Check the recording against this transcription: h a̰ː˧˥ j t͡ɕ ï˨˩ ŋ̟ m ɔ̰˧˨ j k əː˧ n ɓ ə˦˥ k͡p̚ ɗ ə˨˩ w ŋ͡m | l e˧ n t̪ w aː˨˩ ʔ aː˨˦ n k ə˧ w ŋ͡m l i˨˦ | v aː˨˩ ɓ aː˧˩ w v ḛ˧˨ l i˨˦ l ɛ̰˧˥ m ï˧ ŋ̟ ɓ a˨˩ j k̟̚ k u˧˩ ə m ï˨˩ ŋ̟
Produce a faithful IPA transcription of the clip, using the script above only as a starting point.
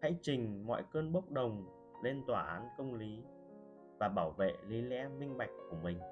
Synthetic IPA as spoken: h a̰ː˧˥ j t͡ɕ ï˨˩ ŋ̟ m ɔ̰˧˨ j k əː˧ n ɓ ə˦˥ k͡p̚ ɗ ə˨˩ w ŋ͡m | l e˧ n t̪ w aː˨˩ ʔ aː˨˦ n k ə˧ w ŋ͡m l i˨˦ | v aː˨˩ ɓ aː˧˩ w v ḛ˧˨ l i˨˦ l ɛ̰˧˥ m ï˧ ŋ̟ ɓ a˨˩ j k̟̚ k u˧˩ ə m ï˨˩ ŋ̟